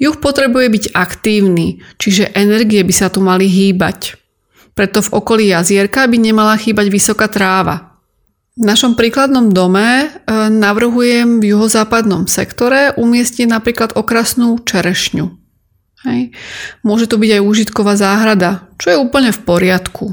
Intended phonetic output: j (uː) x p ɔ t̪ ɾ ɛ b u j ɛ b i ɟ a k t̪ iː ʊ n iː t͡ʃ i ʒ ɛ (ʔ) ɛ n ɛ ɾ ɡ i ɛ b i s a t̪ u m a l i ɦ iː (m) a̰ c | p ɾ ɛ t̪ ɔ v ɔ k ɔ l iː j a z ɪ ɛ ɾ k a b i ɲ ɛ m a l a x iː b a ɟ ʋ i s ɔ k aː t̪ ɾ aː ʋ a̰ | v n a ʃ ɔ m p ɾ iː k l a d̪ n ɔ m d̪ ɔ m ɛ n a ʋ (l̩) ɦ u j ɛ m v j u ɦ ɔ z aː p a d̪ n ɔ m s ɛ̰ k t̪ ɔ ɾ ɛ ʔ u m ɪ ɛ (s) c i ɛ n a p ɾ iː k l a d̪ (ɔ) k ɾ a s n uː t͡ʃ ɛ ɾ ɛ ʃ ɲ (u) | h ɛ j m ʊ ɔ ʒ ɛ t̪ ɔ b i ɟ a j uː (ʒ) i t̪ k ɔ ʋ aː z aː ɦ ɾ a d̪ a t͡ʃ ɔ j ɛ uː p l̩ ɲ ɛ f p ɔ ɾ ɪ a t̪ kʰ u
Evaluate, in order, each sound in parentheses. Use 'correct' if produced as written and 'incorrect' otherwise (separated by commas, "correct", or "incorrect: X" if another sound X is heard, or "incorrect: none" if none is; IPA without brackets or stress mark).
incorrect: u, correct, incorrect: b, incorrect: r̩, correct, correct, correct, correct